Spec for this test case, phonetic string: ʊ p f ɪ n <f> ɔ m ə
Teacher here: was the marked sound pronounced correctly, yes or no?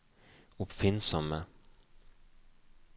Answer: no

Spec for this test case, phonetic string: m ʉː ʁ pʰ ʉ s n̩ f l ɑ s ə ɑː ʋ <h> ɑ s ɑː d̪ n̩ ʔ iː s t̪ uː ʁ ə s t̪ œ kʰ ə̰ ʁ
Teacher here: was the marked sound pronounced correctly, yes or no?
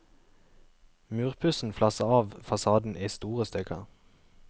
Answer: no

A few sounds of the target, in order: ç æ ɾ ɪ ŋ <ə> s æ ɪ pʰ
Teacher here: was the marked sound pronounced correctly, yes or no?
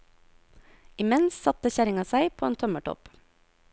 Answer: no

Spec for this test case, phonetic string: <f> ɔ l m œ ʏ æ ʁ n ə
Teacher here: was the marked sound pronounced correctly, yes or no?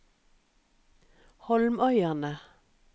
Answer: no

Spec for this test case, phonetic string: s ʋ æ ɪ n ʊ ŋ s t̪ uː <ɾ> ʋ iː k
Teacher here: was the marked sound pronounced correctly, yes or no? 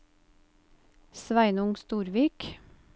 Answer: yes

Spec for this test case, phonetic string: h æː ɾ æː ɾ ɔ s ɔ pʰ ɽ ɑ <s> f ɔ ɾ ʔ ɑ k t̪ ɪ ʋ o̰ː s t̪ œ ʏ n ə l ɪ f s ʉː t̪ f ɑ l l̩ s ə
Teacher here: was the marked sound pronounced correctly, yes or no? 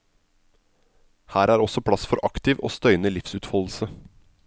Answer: yes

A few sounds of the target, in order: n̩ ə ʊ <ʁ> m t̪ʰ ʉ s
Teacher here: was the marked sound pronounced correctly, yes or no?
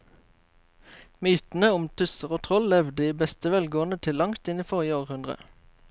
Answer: no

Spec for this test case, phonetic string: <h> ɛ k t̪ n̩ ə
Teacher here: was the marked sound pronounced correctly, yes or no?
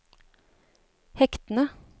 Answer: yes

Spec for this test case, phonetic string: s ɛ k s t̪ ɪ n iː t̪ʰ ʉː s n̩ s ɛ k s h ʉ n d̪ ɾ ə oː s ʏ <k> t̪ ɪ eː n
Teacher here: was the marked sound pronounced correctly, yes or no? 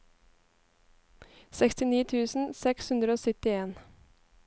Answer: no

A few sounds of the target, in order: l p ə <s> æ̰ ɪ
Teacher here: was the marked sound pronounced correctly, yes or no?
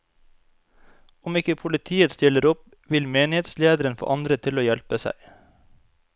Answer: yes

